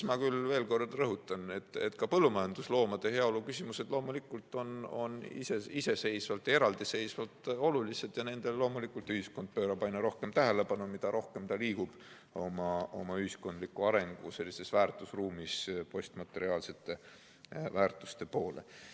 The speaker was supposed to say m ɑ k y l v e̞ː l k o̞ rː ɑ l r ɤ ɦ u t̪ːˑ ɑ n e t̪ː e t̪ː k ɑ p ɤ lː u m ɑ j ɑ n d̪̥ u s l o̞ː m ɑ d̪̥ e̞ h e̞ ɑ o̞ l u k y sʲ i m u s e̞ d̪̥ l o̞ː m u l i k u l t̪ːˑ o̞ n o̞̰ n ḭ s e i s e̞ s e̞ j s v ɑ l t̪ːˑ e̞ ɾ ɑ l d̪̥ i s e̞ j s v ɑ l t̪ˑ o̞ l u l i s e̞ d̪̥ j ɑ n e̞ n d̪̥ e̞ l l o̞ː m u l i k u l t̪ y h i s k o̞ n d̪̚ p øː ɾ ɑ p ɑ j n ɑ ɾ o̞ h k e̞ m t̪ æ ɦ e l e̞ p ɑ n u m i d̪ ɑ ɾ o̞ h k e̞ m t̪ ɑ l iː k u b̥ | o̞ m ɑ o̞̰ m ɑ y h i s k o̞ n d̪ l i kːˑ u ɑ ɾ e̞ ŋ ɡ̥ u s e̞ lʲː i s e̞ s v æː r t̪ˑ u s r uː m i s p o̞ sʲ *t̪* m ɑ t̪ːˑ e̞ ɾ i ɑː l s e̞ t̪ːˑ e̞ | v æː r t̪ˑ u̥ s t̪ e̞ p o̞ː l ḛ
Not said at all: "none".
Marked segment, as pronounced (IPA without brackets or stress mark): t̪